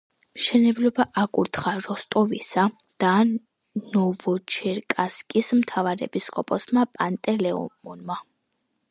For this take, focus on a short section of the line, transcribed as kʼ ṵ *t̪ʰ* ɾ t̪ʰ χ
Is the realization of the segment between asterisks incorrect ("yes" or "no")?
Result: yes